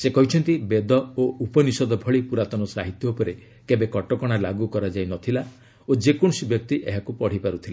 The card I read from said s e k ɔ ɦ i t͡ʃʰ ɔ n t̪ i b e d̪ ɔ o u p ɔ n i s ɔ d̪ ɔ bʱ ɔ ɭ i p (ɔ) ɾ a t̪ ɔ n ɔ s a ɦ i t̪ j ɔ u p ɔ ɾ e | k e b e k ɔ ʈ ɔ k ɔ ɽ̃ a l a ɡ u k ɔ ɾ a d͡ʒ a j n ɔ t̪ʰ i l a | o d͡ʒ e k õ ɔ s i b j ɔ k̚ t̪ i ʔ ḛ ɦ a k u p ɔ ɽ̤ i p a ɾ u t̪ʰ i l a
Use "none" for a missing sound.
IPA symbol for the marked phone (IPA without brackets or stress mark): u